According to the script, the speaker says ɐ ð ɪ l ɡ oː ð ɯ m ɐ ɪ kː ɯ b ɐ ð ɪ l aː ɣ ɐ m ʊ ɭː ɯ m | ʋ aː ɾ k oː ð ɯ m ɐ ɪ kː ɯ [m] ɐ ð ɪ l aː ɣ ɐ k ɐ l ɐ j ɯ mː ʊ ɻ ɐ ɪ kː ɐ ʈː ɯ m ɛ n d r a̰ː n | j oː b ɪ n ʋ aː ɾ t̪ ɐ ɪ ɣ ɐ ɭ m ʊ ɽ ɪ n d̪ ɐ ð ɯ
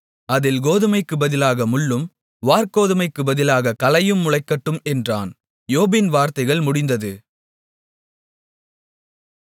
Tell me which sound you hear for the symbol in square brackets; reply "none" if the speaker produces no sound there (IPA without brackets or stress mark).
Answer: b